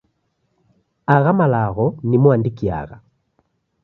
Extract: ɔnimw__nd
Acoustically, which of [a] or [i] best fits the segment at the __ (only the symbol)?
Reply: a